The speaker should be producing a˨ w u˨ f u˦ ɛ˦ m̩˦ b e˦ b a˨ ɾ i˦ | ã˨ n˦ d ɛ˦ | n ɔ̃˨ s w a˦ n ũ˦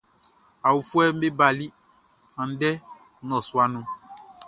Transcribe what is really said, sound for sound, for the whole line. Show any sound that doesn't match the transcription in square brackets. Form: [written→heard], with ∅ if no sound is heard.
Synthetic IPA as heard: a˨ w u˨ f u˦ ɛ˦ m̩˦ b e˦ b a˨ [ɾ→l] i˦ | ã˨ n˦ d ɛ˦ | n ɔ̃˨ s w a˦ n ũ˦